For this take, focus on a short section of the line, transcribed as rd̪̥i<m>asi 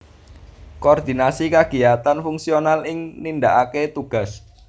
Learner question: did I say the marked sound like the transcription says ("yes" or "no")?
no